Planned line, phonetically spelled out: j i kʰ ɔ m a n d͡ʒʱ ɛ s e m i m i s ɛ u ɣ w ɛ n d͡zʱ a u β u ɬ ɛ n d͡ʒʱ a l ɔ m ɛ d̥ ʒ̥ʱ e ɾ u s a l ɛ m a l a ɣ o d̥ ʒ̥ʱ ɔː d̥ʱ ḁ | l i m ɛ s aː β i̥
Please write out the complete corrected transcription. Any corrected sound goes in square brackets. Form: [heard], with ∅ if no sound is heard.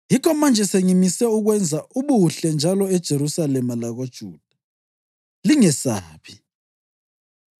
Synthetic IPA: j i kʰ ɔ m a n d͡ʒʱ ɛ s e [ŋ] i m i s ɛ u ɣ w ɛ n d͡zʱ a u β u ɬ ɛ n d͡ʒʱ a l ɔ [∅] ɛ d̥ ʒ̥ʱ e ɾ u s a l ɛ m a l a ɣ o d̥ ʒ̥ʱ [uː] d̥ʱ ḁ | l i [ŋ] ɛ s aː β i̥